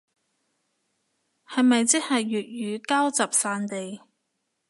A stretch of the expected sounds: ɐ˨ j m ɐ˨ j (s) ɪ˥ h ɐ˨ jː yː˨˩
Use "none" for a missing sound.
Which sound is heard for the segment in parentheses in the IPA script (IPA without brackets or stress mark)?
t͡s